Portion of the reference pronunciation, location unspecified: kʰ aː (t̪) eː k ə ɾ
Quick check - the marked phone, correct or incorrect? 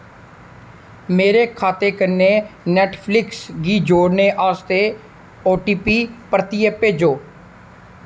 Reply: correct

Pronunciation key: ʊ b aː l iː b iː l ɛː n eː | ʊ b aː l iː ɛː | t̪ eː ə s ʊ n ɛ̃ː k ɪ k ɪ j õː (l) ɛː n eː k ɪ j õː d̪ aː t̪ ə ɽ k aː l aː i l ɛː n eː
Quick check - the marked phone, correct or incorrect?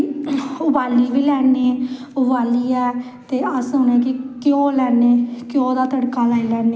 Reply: correct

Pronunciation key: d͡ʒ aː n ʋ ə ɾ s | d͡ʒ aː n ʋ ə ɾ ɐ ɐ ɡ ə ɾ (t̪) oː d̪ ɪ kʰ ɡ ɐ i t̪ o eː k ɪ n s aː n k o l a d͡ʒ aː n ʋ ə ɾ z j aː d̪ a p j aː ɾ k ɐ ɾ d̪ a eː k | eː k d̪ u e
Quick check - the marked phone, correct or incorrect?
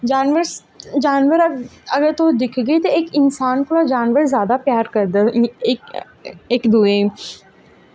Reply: correct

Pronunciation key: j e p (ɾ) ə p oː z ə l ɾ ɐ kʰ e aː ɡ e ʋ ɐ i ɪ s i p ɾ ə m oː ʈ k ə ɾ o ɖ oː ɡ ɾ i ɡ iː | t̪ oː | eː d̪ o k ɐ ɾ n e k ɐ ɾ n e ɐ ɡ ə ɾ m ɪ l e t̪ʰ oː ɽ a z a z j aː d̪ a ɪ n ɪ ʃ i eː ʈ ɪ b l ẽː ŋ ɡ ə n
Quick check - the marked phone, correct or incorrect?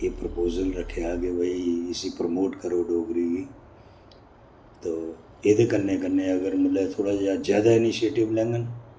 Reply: correct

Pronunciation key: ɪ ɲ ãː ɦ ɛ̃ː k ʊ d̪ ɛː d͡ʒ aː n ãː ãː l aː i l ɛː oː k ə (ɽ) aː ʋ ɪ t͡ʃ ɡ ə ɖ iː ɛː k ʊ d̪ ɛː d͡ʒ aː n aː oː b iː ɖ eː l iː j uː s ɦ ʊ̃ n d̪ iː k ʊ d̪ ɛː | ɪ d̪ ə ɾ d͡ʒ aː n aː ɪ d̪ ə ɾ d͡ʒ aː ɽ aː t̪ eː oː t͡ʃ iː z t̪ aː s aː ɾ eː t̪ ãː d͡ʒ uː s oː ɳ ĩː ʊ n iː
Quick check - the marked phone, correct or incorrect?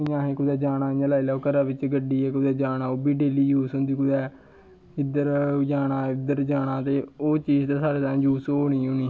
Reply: incorrect: ɾ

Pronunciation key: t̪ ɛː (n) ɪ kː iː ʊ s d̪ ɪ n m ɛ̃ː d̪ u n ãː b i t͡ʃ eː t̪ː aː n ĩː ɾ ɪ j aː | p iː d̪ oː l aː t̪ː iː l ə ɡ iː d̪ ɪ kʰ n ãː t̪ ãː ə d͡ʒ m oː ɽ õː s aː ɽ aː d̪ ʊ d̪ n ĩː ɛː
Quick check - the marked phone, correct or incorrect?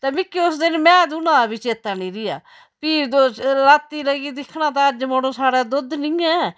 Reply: incorrect: m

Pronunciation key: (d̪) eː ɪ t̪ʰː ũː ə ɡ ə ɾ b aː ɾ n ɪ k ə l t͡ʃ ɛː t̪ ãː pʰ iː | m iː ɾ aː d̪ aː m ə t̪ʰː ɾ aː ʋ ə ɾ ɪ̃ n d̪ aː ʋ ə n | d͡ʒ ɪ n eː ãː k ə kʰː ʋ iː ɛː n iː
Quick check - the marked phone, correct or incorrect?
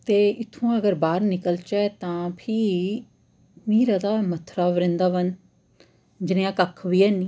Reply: incorrect: t̪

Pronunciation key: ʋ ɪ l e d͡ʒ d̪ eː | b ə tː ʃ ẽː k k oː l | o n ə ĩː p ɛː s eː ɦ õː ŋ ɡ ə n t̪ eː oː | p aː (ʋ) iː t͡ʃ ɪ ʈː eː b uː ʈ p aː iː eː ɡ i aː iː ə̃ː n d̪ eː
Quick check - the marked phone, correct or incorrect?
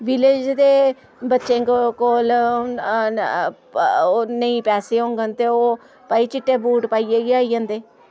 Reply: incorrect: none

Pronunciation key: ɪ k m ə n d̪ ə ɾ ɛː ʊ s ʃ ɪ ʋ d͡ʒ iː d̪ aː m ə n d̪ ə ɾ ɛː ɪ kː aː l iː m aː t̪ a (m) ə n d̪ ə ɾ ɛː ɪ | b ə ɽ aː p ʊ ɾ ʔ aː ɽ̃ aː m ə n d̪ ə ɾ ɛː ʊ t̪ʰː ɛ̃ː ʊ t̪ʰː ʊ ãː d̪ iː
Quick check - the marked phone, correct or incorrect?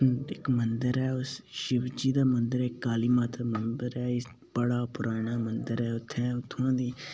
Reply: correct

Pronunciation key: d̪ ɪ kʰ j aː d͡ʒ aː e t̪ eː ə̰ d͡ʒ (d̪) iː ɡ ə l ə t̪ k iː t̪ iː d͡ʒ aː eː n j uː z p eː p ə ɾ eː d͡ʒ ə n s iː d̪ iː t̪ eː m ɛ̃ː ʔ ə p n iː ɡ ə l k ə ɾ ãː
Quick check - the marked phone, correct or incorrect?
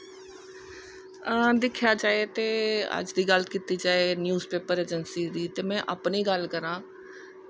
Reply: correct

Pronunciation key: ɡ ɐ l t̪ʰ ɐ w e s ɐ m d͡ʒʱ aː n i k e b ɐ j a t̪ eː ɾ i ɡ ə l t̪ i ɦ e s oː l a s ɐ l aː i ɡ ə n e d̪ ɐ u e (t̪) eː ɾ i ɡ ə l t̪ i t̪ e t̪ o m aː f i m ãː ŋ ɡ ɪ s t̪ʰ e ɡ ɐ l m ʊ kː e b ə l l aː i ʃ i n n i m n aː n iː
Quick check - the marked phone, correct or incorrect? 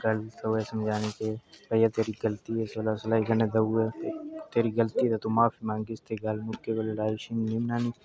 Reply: correct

